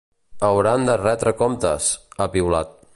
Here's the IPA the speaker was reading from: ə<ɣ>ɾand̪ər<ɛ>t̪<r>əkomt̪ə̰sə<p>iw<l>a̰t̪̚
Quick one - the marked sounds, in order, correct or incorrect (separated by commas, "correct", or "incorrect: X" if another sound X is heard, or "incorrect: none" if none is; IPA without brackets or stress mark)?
incorrect: w, correct, incorrect: ɾ, correct, correct